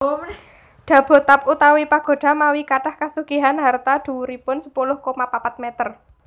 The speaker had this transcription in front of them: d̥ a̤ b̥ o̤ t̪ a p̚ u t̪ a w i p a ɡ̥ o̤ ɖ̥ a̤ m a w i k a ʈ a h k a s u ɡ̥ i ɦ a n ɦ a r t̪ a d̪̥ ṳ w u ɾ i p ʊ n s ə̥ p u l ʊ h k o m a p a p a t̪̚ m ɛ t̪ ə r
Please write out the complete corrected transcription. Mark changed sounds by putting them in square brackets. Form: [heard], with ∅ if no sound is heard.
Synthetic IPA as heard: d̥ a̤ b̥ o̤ t̪ a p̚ u t̪ a w i p a ɡ̥ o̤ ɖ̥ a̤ m a w i k a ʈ a h k a s u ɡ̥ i ɦ a n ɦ a r t̪ a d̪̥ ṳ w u ɾ i p ʊ n s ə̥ p u l ʊ h k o m a p a p a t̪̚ m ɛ t̪ ə r